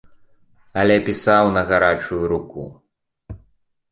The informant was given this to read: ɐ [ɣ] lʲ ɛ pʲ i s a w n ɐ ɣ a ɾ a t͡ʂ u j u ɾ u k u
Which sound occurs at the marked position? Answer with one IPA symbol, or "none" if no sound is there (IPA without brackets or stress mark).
none